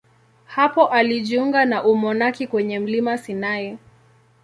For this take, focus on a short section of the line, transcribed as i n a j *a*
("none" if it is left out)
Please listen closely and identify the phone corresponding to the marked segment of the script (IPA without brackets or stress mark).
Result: ɛ